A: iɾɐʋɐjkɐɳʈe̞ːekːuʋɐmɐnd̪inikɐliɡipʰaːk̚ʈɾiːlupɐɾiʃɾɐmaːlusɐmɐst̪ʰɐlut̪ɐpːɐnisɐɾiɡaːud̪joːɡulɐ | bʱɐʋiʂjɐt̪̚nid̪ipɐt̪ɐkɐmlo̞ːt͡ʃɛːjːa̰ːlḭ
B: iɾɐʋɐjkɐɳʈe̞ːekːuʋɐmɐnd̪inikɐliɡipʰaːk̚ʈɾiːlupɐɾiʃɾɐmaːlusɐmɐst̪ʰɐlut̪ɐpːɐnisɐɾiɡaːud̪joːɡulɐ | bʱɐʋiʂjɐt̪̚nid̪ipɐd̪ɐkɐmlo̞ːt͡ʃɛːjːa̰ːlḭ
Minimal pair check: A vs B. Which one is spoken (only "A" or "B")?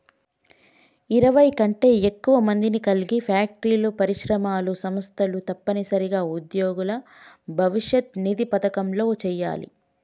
A